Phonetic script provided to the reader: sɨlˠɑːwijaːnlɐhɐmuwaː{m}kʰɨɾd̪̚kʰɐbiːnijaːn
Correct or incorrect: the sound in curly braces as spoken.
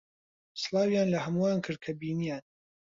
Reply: incorrect: n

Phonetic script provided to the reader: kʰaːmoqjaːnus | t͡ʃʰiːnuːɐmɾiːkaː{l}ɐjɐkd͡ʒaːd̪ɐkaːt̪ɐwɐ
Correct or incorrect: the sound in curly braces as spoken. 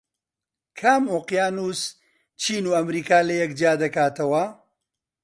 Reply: correct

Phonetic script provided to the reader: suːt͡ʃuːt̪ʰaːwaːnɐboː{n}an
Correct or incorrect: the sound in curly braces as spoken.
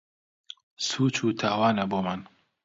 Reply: incorrect: m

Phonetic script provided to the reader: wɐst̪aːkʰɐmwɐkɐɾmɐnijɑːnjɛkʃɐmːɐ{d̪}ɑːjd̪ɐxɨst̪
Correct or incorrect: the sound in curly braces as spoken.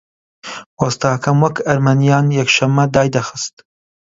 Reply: correct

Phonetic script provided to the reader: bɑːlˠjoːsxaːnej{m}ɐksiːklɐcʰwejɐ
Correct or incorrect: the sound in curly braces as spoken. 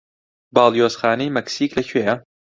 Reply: correct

